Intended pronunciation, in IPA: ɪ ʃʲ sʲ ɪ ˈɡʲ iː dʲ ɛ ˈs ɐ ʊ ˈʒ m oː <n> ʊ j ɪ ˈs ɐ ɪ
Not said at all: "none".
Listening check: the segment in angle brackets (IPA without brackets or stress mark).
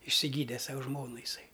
n